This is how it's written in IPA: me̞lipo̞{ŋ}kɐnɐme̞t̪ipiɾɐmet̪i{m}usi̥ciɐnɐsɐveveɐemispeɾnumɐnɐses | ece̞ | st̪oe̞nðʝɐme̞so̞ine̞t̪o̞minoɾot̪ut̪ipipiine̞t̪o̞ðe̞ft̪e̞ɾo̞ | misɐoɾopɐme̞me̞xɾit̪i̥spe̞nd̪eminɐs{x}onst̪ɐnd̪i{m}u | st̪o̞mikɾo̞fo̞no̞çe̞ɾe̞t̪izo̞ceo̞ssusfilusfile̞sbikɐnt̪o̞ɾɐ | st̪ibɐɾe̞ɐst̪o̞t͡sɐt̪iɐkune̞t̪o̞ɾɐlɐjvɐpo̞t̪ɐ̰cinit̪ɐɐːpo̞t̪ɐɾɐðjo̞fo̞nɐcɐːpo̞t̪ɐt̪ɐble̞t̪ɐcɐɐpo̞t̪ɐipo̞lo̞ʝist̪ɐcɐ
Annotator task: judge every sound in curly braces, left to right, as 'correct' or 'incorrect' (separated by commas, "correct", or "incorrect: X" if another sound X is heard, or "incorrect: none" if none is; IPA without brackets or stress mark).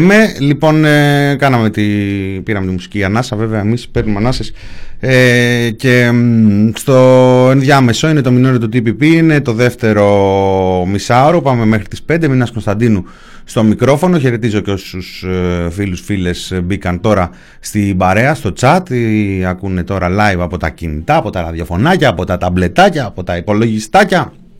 incorrect: n, correct, incorrect: k, incorrect: n